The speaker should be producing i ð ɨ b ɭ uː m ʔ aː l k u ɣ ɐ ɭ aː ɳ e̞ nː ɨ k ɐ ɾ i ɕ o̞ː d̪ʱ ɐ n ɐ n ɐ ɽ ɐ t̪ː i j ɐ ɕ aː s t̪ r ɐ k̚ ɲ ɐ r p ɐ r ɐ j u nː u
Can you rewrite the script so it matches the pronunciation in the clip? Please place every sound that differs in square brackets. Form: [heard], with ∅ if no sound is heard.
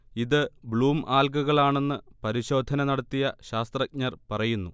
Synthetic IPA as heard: i ð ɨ b ɭ uː m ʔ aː l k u ɣ ɐ ɭ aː ɳ e̞ nː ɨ [p] ɐ ɾ i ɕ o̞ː d̪ʱ ɐ n ɐ n ɐ ɽ ɐ t̪ː i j ɐ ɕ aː s t̪ r ɐ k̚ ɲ ɐ r p ɐ r ɐ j u nː u